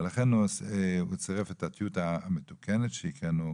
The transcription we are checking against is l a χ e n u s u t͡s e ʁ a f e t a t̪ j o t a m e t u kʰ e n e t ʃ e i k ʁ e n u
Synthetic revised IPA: l a χ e n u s u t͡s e ʁ e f e t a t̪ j u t a m e t u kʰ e n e t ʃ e i k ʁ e n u